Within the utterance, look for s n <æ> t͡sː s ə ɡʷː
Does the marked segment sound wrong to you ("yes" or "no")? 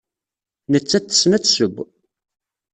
no